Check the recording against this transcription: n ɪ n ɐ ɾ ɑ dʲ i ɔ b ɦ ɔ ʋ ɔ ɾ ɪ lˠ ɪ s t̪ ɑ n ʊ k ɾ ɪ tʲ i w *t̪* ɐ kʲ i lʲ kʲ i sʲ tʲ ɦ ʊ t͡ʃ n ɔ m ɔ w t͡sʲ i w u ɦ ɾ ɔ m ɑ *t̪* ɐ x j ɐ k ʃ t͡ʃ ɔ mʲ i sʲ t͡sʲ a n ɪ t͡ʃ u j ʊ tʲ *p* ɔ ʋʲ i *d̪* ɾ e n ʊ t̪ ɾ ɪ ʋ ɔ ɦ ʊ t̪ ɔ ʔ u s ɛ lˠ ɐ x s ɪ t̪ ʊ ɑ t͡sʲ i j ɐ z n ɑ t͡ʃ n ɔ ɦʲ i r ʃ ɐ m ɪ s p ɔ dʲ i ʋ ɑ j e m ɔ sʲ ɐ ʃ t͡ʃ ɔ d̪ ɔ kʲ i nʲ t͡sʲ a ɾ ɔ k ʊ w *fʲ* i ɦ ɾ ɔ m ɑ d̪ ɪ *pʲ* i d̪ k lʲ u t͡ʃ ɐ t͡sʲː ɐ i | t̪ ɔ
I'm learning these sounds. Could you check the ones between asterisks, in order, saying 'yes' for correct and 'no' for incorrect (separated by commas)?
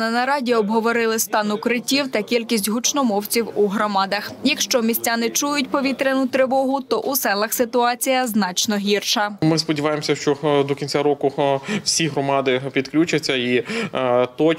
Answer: yes, no, yes, no, no, yes